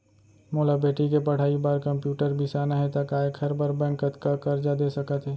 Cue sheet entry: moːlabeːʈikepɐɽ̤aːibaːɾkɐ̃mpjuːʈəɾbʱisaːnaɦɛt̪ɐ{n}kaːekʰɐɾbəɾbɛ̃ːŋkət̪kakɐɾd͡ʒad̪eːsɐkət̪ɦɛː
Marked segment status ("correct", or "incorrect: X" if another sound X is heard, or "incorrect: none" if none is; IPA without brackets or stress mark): incorrect: none